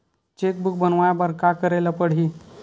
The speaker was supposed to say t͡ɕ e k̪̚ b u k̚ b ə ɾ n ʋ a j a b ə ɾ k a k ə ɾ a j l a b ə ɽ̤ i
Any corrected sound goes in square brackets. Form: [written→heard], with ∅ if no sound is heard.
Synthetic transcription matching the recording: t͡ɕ e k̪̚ b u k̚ b ə [ɾ→∅] n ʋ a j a b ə ɾ k a k ə ɾ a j l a [b→p] ə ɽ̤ i